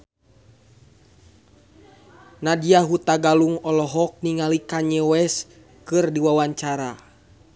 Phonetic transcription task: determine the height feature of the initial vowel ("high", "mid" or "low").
low